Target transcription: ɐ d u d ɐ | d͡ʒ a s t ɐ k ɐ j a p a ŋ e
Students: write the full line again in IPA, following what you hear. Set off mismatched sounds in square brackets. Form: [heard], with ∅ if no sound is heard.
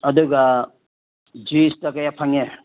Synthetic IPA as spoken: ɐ d u [ɡ] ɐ | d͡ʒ [i] s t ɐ k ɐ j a [pʰ] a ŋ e